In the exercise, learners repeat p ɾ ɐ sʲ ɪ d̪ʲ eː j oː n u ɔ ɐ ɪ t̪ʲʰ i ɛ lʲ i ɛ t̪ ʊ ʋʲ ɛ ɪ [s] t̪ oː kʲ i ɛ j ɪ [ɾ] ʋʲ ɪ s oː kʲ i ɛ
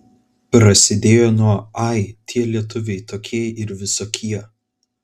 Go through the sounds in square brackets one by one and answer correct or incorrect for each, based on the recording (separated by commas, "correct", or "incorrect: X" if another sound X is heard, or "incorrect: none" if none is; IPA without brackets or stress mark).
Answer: incorrect: none, correct